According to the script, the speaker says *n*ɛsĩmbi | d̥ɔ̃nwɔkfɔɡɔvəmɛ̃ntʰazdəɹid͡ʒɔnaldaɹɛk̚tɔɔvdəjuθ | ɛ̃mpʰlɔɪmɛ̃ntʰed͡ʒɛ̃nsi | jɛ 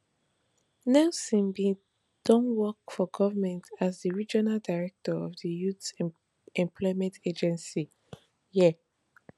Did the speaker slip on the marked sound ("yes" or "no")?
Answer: no